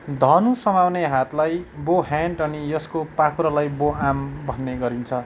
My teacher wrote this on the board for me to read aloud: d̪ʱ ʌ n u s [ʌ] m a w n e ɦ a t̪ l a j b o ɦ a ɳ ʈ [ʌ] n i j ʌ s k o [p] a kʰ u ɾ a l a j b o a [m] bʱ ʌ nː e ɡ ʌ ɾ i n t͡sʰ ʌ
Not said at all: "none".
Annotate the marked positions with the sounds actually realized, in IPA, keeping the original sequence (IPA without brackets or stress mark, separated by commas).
ʌ, ʌ, p, m